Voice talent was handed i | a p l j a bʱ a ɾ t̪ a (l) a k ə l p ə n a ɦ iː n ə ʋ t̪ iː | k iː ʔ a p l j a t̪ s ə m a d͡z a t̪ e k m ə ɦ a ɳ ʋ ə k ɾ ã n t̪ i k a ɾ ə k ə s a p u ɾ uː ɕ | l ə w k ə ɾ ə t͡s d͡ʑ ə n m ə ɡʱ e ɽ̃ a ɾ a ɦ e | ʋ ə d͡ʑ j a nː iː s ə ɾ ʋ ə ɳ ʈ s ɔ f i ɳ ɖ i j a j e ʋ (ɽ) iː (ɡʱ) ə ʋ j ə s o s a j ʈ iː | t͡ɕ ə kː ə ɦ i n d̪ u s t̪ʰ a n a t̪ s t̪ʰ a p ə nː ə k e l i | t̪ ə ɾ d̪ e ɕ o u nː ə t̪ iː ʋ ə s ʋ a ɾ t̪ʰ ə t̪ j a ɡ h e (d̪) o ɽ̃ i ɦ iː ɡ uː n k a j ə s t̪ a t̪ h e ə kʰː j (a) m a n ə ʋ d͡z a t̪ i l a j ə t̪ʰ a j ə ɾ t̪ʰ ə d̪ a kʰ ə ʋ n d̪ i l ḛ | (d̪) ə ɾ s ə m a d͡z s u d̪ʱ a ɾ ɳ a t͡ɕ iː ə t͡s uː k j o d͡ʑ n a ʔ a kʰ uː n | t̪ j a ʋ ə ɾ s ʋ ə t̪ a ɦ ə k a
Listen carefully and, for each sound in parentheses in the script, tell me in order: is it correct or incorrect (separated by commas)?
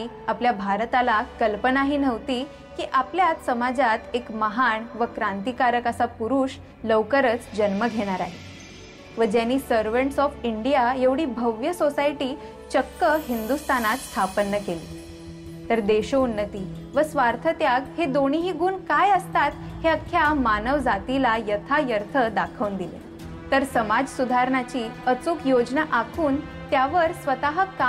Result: correct, correct, incorrect, correct, correct, incorrect